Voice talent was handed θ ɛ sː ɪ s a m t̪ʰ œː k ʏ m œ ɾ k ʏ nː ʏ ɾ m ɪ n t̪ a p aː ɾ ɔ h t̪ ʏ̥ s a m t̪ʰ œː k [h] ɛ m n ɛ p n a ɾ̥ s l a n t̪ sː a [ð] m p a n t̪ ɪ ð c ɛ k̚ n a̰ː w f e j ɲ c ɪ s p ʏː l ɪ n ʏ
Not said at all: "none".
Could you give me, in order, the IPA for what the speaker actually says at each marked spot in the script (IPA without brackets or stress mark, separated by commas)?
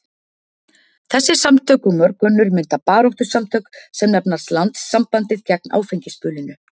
s, none